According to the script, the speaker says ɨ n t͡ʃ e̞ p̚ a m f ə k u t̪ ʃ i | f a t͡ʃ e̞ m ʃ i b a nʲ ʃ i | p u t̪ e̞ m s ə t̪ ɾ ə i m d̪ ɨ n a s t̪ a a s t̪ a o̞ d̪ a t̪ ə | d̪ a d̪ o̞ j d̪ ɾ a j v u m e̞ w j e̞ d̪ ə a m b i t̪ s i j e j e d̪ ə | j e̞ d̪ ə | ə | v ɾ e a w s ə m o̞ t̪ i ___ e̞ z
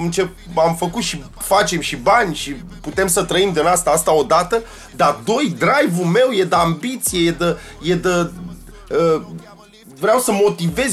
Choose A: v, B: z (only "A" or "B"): A